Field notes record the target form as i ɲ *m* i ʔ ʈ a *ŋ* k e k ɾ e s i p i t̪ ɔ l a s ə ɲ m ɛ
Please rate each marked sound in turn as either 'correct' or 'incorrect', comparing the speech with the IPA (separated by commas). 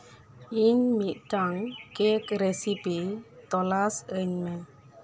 correct, correct